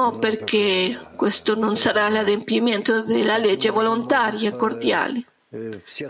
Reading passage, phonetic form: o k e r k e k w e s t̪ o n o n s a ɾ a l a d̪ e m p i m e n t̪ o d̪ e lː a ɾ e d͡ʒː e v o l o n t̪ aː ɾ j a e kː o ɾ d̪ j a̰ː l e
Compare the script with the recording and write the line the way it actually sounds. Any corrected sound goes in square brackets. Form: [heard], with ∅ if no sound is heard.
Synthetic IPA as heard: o [p] e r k e k w e s t̪ o n o n s a ɾ a l a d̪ e m p i m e n t̪ o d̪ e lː a [l] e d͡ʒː e v o l o n t̪ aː ɾ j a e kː o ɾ d̪ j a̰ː l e